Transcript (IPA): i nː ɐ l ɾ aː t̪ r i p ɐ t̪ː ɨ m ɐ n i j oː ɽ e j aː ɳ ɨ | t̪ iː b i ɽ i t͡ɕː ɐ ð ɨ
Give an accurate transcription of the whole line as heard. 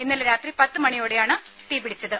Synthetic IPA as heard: i nː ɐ l ɾ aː t̪ r i p ɐ t̪ː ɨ m ɐ ɳ i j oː ɽ e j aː ɳ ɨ | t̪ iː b i ɽ i t͡ɕː ɐ ð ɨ